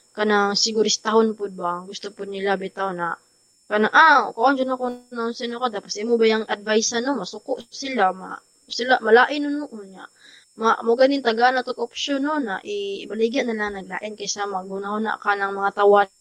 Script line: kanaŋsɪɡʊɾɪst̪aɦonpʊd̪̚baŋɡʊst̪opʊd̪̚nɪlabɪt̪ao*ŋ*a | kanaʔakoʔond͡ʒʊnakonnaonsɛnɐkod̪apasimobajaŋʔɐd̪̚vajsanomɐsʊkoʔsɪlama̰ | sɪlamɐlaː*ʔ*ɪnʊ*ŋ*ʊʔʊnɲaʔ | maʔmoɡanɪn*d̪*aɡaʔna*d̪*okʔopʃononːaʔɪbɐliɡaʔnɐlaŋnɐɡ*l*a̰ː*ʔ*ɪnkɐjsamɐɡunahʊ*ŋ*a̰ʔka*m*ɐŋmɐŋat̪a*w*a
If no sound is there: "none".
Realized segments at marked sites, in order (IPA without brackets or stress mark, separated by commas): n, ʔ, n, t̪, t̪, l, ʔ, n, n, w